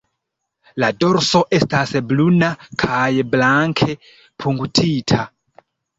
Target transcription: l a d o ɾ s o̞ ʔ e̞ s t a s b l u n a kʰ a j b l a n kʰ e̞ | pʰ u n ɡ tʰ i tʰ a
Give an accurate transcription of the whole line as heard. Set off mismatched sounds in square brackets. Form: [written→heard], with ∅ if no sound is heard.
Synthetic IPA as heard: l a d o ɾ s o̞ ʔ e̞ s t a s b l u n a kʰ a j b l a [n→ŋ] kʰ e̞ | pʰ u [n→ŋ] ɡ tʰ i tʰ a